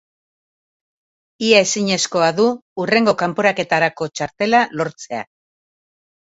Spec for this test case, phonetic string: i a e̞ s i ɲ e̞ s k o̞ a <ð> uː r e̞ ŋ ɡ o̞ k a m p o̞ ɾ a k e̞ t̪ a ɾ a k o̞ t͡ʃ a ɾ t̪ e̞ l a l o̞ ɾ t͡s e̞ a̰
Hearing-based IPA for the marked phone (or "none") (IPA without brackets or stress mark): ð